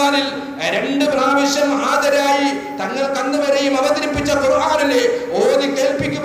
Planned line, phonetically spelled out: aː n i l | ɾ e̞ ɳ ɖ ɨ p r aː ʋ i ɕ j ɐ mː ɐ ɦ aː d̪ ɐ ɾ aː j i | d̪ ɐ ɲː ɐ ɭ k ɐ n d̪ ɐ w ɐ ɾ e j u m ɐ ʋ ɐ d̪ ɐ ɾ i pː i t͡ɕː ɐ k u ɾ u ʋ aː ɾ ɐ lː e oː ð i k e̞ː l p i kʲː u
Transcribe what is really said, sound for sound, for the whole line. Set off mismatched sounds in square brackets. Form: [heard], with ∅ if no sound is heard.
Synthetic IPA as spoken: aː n i l | ɾ e̞ ɳ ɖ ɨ p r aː ʋ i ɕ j ɐ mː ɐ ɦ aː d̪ ɐ ɾ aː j i | [t̪] ɐ [ŋː] ɐ ɭ k ɐ n d̪ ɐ [ʋ] ɐ ɾ e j u m ɐ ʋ ɐ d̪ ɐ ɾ i pː i t͡ɕː ɐ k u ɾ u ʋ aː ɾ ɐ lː e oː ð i k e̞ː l p i kʲː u